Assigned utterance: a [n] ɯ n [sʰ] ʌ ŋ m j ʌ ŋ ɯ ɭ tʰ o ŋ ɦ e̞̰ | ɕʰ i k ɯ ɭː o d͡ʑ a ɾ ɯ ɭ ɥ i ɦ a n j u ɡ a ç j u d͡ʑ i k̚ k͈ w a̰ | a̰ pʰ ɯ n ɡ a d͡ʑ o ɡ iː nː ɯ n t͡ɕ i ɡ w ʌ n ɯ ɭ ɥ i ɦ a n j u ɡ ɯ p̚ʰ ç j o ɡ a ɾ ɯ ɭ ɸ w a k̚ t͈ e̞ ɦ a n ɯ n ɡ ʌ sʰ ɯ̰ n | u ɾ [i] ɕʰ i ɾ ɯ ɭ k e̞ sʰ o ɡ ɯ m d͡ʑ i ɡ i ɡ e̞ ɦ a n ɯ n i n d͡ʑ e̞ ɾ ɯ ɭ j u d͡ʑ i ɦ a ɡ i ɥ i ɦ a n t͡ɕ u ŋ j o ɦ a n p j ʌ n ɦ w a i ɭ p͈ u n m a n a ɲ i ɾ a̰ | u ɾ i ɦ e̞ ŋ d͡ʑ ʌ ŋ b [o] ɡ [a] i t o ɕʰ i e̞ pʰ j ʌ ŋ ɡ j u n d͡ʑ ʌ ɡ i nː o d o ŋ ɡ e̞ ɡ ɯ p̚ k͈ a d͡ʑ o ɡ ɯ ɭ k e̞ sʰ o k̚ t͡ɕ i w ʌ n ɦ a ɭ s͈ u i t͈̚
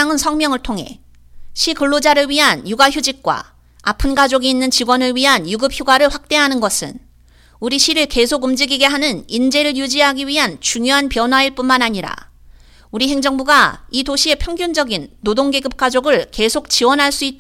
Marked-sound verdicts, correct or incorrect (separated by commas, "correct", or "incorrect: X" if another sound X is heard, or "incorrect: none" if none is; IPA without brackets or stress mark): incorrect: ŋ, correct, correct, incorrect: u, correct